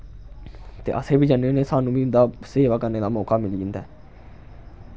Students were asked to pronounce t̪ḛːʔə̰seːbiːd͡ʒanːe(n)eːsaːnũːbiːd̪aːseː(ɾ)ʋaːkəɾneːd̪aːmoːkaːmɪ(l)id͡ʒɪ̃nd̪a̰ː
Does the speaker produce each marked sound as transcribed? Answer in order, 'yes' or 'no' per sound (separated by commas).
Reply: yes, no, yes